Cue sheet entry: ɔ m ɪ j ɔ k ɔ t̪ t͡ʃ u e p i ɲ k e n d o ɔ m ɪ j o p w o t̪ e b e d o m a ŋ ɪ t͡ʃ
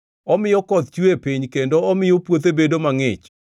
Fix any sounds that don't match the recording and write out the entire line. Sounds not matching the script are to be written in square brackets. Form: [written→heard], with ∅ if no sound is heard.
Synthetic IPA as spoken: ɔ m ɪ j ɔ k ɔ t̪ t͡ʃ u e p i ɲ k e n d o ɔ m ɪ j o p w o t̪ e b e d o m a ŋ ɪ t͡ʃ